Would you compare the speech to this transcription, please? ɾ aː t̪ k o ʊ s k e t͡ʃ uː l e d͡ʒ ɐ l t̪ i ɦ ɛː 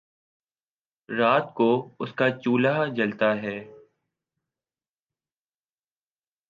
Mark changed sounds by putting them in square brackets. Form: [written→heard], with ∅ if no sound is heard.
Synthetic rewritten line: ɾ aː t̪ k o ʊ s k [e→a] t͡ʃ uː l [e→a] d͡ʒ ɐ l t̪ [i→a] ɦ ɛː